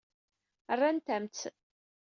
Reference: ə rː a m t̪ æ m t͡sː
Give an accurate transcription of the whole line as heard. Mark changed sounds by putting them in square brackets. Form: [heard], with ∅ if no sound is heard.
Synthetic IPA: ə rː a [n] t̪ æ m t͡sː